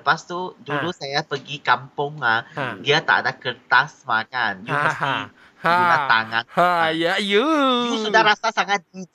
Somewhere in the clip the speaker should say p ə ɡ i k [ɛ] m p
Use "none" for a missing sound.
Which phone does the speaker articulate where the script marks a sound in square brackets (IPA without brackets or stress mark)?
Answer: a